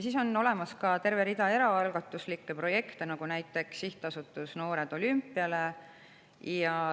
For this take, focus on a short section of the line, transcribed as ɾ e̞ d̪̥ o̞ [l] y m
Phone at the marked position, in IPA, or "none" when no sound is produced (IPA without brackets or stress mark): l